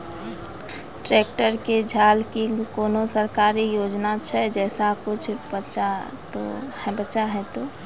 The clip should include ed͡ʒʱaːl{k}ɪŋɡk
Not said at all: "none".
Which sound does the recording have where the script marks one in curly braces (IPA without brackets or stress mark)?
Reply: k